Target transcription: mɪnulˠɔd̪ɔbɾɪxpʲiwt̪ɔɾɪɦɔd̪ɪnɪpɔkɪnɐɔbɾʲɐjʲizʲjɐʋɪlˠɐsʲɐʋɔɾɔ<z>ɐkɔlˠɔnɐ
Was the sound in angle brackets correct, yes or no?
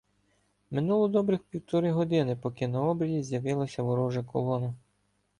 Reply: no